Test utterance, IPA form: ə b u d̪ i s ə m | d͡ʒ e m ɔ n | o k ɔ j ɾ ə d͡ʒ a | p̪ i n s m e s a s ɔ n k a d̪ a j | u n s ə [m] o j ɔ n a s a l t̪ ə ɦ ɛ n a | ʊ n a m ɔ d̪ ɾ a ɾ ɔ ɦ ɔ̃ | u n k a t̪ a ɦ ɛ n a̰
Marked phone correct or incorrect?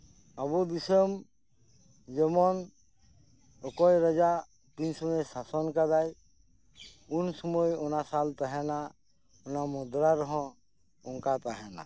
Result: correct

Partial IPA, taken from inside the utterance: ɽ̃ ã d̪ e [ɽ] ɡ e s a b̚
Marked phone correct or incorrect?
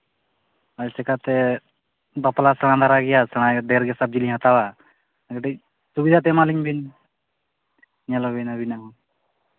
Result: incorrect: ɾ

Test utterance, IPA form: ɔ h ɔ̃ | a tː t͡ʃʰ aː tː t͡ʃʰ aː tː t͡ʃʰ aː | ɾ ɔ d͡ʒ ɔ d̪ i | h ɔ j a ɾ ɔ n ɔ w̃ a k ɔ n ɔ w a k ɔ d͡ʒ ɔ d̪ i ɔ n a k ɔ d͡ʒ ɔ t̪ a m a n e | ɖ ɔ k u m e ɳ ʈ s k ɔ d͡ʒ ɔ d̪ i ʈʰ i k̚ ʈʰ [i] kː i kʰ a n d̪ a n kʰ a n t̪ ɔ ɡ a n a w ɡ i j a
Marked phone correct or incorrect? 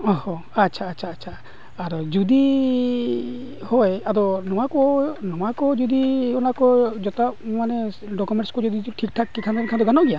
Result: incorrect: a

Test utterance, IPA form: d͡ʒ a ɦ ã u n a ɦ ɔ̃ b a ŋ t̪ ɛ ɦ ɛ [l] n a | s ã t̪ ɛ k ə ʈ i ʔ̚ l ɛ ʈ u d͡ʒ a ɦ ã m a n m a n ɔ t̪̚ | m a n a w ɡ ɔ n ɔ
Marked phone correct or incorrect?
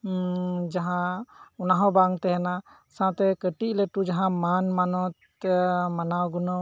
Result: incorrect: none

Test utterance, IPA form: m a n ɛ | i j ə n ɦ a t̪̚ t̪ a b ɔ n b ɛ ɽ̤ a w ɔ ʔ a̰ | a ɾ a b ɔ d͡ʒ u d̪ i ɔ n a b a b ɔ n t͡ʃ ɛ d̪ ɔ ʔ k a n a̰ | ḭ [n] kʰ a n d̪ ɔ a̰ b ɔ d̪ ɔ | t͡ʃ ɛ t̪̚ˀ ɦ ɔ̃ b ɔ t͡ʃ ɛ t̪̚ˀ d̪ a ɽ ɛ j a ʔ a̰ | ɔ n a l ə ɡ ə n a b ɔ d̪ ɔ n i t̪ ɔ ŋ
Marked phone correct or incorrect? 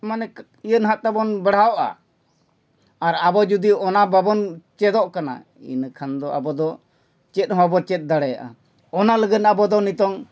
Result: correct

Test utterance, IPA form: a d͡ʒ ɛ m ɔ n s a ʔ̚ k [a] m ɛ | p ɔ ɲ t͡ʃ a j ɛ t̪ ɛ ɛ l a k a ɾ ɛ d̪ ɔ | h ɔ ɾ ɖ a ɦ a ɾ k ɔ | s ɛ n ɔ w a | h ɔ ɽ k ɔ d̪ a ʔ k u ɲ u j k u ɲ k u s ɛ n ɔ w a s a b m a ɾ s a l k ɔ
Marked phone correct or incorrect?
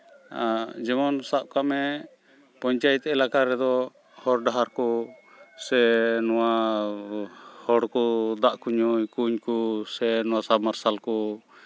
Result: correct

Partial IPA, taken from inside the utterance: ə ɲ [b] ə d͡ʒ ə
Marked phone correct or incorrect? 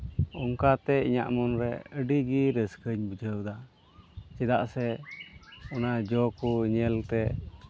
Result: correct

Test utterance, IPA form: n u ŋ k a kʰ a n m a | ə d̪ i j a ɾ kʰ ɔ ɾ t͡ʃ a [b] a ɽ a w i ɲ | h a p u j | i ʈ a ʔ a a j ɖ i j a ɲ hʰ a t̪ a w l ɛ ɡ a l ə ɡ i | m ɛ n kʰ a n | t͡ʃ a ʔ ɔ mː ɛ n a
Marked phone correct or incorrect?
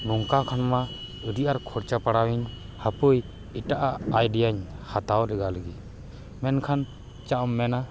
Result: incorrect: p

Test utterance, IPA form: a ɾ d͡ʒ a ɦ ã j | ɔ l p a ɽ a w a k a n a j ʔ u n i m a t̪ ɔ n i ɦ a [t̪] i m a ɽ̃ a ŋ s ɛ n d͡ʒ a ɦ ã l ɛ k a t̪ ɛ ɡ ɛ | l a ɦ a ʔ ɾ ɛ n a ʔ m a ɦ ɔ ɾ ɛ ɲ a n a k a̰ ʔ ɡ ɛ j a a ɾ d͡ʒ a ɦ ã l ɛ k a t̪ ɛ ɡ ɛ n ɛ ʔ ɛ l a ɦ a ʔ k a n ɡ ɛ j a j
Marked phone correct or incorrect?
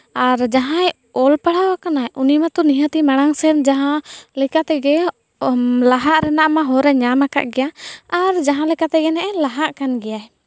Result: correct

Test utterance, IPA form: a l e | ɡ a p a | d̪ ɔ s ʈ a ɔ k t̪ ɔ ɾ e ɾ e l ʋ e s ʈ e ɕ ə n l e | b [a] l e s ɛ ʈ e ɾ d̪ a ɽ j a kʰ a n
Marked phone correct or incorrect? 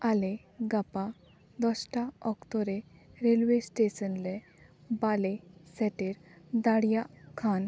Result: correct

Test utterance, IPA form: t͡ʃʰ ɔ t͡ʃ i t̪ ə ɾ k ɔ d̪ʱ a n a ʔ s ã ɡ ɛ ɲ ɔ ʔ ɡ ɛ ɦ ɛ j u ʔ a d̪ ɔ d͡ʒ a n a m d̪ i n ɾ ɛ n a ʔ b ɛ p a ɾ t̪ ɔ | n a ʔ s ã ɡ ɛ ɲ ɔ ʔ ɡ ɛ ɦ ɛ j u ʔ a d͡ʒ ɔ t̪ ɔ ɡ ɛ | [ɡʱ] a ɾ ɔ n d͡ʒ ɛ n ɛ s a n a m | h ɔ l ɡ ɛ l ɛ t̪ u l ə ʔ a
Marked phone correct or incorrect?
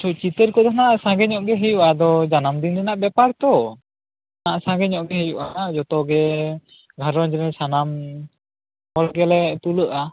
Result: correct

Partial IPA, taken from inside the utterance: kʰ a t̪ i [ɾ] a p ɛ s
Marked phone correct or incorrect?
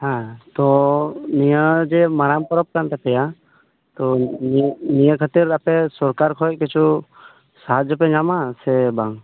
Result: correct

